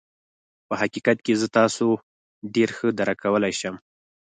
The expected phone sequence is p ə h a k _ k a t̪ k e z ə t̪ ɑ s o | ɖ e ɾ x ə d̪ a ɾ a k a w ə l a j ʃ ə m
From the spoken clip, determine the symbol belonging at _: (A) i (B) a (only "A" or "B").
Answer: A